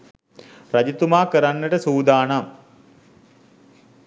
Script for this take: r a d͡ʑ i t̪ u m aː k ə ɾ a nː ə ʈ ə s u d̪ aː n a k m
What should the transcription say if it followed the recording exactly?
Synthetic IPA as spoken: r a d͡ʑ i t̪ u m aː k ə ɾ a nː ə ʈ ə s uː d̪ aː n a m